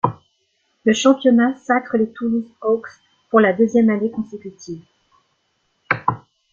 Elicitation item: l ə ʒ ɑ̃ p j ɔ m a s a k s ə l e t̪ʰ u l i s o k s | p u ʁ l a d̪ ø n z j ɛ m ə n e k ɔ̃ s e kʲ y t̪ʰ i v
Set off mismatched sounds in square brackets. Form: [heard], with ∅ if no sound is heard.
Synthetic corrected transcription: l ə [ʃ] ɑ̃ p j ɔ [n] a s a k [χ] ə l e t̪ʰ u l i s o k s | p u ʁ l a d̪ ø [∅] z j ɛ m [a] n e k ɔ̃ s e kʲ y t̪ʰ i v